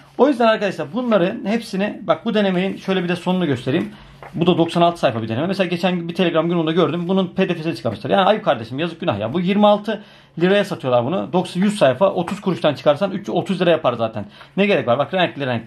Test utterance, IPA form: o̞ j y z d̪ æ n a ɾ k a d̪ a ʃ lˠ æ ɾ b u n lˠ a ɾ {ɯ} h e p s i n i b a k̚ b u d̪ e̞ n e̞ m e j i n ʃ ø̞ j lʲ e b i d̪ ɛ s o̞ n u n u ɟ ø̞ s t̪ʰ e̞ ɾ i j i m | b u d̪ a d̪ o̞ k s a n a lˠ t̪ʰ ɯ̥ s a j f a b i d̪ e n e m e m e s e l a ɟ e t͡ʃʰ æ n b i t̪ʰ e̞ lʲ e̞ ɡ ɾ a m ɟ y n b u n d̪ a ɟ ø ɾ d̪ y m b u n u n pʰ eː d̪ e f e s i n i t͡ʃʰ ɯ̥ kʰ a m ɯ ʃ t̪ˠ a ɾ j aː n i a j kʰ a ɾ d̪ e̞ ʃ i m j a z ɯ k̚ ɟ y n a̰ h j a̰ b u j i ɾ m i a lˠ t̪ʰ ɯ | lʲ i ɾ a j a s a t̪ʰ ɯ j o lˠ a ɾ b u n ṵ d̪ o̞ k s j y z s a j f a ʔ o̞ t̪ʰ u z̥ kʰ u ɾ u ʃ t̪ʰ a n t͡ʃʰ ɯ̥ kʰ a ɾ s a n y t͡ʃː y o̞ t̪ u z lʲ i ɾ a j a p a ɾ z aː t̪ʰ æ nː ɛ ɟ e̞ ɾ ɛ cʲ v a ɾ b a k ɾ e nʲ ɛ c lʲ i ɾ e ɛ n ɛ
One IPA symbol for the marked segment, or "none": ɯ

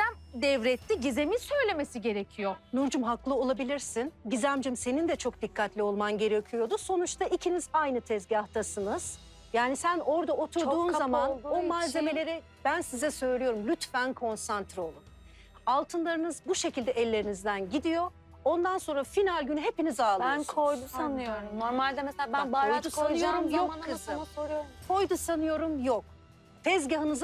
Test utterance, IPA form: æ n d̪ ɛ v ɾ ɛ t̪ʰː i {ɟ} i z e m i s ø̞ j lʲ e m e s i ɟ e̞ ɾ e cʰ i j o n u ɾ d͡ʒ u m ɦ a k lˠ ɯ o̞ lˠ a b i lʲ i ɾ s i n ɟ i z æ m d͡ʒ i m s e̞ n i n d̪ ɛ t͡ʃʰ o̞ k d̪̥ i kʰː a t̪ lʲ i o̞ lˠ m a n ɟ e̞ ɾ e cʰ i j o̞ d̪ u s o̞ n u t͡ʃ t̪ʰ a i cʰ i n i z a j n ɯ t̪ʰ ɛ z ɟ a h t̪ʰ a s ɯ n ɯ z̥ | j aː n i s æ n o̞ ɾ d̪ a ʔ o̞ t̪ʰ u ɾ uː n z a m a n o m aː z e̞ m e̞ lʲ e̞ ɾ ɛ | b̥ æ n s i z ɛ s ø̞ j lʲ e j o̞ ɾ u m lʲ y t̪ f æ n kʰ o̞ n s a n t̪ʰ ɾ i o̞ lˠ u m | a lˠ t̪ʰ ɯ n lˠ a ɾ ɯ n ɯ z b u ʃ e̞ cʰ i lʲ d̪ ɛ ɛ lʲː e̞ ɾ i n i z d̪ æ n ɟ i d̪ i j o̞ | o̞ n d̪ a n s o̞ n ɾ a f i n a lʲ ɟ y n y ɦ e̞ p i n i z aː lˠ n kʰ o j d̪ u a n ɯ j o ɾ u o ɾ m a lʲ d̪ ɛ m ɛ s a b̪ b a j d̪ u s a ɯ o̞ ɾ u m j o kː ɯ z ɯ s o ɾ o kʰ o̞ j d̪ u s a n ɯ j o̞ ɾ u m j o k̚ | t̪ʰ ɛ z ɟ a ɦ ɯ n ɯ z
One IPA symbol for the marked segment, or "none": ɟ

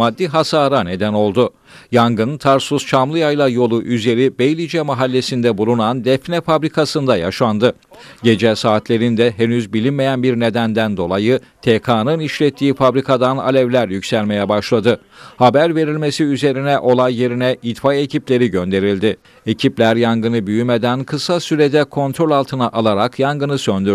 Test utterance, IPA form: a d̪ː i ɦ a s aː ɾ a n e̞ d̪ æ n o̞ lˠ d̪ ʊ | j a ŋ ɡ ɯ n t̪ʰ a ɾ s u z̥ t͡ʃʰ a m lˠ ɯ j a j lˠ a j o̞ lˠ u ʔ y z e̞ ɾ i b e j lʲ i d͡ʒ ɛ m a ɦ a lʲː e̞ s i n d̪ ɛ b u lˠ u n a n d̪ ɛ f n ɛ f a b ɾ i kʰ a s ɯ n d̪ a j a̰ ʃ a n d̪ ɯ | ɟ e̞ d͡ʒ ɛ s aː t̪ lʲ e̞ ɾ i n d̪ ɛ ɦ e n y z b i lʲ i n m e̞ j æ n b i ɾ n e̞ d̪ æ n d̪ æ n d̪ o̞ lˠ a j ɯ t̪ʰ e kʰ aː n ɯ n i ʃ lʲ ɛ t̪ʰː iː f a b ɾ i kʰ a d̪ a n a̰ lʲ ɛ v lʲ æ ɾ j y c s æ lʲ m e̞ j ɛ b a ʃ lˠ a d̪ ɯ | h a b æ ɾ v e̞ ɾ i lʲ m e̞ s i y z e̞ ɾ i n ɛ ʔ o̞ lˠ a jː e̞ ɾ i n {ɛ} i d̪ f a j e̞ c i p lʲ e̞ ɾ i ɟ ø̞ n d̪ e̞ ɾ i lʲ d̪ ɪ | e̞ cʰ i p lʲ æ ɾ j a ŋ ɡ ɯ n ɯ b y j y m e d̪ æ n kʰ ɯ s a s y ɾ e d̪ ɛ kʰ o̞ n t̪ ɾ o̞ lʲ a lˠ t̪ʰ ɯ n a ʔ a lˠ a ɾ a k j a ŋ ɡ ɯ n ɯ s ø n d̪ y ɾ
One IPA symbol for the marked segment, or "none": ɛ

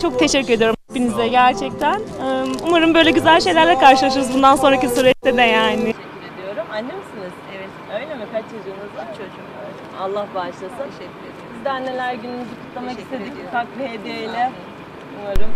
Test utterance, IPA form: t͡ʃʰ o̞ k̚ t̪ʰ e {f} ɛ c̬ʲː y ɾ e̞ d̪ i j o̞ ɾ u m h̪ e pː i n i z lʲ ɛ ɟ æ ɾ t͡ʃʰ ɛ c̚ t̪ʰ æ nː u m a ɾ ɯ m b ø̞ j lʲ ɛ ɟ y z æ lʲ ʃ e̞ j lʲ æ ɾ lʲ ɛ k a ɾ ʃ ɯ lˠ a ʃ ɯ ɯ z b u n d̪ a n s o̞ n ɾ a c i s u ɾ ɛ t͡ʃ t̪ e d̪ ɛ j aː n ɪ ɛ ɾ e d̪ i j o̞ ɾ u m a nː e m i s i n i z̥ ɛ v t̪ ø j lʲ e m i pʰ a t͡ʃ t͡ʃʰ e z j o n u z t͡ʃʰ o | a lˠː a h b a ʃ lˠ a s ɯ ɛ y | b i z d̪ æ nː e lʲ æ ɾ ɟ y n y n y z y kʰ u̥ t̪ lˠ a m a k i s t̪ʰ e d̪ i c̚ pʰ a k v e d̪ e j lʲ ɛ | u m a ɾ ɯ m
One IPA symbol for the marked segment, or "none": ʃ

